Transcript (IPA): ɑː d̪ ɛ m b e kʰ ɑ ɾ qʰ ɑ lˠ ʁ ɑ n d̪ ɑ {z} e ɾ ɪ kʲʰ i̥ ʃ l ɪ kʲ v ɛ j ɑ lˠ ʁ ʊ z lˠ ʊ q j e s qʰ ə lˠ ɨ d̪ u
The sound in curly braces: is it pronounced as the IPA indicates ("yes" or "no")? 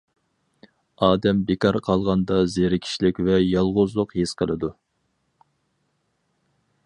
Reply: yes